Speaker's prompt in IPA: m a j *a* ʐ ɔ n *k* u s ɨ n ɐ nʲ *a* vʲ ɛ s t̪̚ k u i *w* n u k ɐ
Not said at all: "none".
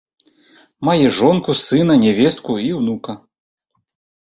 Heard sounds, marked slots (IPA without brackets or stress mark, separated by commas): ɛ, k, ɛ, w